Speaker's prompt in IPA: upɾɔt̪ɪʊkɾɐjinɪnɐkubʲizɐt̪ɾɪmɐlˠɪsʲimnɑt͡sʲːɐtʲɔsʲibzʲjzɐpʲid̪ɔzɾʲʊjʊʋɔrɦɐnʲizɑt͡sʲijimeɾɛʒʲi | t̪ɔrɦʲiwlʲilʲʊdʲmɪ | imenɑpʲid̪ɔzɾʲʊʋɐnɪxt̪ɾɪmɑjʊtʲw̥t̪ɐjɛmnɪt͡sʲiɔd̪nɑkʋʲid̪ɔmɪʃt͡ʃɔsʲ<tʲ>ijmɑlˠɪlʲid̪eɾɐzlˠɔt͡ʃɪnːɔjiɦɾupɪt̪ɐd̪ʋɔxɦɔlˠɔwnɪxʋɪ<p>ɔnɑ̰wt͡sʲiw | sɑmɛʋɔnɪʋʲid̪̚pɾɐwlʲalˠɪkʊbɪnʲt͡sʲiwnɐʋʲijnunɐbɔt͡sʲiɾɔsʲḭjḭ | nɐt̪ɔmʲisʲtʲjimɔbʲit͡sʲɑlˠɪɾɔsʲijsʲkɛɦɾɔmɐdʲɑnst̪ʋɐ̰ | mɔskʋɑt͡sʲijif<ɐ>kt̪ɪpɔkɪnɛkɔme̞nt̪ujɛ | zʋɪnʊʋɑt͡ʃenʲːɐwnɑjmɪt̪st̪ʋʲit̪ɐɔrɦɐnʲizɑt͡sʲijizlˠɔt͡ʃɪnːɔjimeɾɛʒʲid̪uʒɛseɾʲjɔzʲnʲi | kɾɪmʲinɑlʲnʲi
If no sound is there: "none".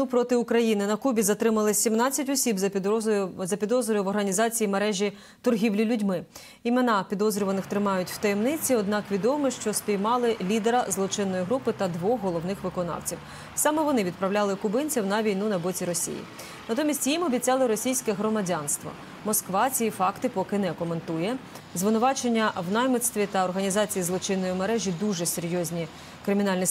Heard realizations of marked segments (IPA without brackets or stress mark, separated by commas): pʲ, k, ɑ